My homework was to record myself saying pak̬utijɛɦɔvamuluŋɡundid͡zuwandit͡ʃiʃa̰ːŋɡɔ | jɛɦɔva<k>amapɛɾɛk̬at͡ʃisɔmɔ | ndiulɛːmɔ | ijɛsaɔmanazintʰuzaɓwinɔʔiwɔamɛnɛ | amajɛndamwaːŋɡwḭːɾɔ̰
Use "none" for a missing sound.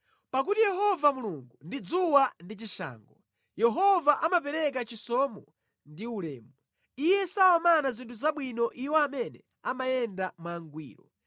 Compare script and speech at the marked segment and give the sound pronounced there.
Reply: ʔ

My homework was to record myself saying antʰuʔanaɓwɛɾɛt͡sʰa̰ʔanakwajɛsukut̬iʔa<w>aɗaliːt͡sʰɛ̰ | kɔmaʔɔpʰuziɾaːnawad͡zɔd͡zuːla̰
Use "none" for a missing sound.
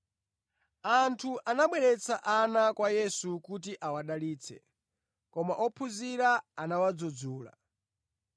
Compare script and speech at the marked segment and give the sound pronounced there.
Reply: w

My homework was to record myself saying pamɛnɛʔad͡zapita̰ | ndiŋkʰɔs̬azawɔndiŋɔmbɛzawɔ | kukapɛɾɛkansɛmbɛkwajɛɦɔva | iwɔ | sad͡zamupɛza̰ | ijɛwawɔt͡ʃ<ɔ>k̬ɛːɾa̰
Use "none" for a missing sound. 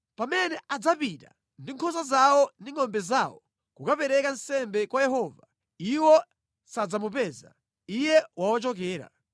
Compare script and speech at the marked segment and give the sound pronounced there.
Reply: ɔ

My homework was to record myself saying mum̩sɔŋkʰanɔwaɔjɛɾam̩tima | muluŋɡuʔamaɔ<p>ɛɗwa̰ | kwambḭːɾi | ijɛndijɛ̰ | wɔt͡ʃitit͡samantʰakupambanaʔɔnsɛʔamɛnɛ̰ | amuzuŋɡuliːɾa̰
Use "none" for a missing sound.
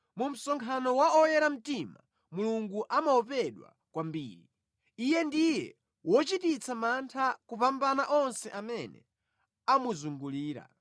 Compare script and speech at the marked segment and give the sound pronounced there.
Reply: p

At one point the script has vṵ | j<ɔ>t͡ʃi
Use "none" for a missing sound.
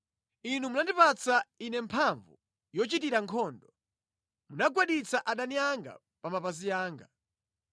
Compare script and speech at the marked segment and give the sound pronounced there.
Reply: ɔ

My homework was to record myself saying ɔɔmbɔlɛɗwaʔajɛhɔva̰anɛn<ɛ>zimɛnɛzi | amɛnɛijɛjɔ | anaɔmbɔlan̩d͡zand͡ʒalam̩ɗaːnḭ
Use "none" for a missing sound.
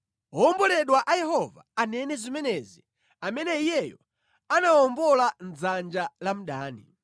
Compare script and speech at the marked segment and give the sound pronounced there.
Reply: ɛ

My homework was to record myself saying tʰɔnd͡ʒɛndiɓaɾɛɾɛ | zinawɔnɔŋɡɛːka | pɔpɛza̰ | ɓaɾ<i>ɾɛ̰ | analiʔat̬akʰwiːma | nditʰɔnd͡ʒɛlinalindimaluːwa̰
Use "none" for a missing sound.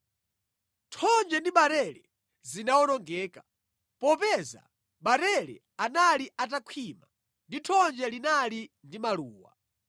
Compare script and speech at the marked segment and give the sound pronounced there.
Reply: ɛ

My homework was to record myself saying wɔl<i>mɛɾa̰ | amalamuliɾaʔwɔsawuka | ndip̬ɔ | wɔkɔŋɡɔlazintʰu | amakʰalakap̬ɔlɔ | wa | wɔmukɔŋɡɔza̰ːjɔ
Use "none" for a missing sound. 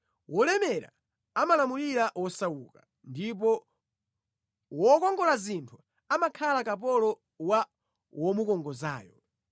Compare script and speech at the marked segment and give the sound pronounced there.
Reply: ɛ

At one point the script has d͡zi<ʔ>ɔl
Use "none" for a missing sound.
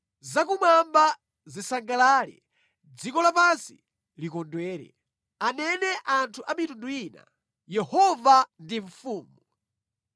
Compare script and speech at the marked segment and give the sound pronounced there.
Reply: k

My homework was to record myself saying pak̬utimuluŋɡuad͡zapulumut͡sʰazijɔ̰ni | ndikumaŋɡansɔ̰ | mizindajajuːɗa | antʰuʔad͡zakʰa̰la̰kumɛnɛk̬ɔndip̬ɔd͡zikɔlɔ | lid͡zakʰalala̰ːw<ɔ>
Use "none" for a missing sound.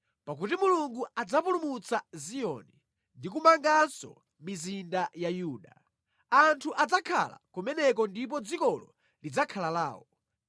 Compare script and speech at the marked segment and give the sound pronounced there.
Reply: ɔ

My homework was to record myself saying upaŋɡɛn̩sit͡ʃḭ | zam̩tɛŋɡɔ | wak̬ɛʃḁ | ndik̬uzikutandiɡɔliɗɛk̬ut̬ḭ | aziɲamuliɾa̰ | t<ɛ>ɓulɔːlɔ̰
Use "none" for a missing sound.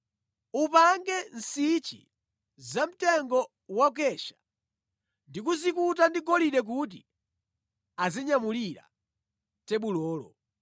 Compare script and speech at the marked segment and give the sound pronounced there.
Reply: ɛ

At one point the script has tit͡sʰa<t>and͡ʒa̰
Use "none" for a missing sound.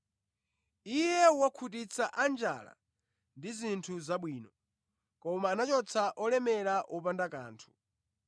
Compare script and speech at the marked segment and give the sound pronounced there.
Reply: ʔ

